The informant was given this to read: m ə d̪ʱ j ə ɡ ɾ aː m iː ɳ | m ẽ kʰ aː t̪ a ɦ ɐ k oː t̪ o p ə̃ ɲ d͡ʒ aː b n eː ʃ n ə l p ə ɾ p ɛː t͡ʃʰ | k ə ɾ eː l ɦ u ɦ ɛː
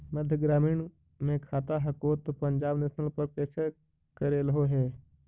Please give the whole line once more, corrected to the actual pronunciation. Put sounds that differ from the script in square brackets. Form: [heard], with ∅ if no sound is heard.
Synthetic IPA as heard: m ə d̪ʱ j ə ɡ ɾ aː m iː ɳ | m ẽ kʰ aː t̪ a ɦ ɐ k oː t̪ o p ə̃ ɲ d͡ʒ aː b n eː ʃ n ə l p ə ɾ p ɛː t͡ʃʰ | k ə ɾ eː l ɦ [o] ɦ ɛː

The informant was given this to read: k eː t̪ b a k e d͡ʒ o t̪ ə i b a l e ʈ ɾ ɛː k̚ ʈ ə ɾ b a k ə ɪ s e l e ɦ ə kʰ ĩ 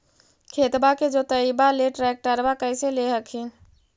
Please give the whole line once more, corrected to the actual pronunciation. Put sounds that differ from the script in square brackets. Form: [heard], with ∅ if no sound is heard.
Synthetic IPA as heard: [kʰ] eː t̪ b a k e d͡ʒ o t̪ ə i b a l e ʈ ɾ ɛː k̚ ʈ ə ɾ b a k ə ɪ s e l e ɦ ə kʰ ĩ

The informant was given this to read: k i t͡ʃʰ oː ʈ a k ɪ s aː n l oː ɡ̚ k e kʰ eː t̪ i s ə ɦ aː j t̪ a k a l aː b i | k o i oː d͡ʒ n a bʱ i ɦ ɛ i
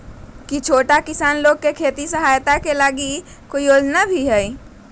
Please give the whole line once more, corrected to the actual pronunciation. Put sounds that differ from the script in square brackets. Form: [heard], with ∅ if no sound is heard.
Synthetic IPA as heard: k i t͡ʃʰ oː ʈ a k ɪ s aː n l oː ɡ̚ k e kʰ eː t̪ i s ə ɦ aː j t̪ a k [e] l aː [ɡ] i | k o i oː d͡ʒ n a bʱ i ɦ ɛ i

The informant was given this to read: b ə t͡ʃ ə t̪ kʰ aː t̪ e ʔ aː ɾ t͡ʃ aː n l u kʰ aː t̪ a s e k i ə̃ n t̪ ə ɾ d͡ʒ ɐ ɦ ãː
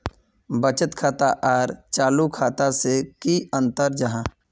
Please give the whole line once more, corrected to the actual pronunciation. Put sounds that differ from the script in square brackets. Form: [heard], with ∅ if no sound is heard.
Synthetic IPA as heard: b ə t͡ʃ ə t̪ kʰ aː t̪ [a] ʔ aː ɾ t͡ʃ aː [∅] l u kʰ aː t̪ a s e k i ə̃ n t̪ ə ɾ d͡ʒ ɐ ɦ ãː

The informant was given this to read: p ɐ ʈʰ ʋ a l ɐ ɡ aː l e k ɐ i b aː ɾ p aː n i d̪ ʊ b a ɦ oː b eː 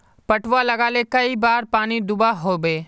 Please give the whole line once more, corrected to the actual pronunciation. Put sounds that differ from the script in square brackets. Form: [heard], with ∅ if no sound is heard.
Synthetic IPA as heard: p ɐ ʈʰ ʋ a l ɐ ɡ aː l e k ɐ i b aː ɾ p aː n i d̪ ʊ b a ɦ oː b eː

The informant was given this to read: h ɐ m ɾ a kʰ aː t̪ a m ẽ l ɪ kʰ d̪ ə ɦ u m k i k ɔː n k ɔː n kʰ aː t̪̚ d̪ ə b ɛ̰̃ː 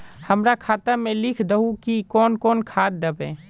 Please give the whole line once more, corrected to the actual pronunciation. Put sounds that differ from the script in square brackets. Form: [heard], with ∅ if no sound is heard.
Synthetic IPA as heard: h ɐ m ɾ a kʰ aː t̪ a m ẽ l ɪ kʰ d̪ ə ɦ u [∅] k i k ɔː n k ɔː n kʰ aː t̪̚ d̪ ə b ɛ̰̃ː

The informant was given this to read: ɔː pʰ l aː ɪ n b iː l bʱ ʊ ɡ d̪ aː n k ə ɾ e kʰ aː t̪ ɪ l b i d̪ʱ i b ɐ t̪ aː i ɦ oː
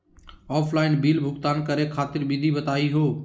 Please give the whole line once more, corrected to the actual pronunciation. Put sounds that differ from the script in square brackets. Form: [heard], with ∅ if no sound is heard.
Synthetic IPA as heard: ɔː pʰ l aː ɪ n b iː l bʱ ʊ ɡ [t̪] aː n k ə ɾ e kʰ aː t̪ ɪ [ɾ] b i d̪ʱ i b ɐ t̪ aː i ɦ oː

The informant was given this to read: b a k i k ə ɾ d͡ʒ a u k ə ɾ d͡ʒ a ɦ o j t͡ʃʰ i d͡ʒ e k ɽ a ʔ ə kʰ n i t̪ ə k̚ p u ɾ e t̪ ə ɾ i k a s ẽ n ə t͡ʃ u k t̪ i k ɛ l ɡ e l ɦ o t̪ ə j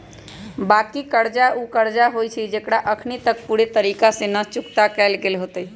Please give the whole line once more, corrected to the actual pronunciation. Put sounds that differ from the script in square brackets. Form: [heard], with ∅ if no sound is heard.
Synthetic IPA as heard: b a k i k ə ɾ d͡ʒ a u k ə ɾ d͡ʒ a ɦ o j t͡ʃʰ i d͡ʒ e k ɽ a ʔ ə kʰ n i t̪ ə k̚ p u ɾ e t̪ ə ɾ i k a s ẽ n ə t͡ʃ u k t̪ [a] k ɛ l ɡ e l ɦ o t̪ ə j

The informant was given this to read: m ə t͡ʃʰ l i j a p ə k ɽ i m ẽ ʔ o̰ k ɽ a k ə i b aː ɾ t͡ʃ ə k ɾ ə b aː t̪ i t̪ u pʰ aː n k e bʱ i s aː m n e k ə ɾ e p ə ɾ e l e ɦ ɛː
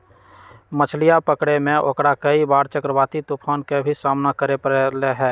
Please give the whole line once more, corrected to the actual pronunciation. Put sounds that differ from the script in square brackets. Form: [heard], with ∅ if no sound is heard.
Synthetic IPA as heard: m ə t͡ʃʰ l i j a p ə k ɽ [e] m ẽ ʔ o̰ k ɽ a k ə i b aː ɾ t͡ʃ ə k ɾ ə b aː t̪ i t̪ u pʰ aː n k e bʱ i s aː m n [a] k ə ɾ e p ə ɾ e l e ɦ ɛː

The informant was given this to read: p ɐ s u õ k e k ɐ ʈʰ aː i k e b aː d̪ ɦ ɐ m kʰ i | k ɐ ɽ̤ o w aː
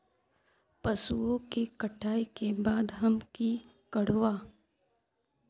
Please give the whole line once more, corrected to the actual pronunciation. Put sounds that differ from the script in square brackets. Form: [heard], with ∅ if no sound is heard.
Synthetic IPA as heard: p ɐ s u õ k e k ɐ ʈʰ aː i k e b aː d̪ ɦ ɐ m [k] i | k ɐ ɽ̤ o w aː

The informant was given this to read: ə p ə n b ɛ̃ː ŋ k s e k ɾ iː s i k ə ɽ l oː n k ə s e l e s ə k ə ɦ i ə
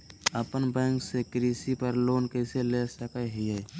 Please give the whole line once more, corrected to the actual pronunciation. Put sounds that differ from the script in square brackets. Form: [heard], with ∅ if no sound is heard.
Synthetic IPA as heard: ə p ə n b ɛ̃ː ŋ k s e k ɾ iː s i [p] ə [ɾ] l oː n k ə s e l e s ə k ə ɦ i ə

